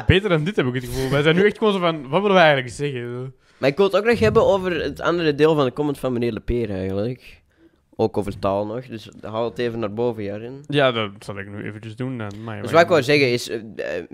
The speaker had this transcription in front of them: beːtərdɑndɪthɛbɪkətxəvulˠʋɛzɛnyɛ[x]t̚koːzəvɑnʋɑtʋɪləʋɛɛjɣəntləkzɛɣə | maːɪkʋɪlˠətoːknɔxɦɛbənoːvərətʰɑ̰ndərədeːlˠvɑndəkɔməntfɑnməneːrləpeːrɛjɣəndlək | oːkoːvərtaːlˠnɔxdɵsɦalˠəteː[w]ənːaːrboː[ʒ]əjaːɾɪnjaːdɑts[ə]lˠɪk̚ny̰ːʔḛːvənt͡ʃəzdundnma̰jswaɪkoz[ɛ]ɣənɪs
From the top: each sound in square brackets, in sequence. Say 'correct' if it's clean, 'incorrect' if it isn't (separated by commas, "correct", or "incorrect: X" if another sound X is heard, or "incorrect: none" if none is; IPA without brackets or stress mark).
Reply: correct, incorrect: v, incorrect: v, incorrect: ɑ, correct